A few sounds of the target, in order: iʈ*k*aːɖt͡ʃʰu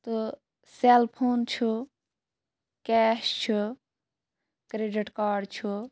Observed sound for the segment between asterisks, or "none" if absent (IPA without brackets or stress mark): k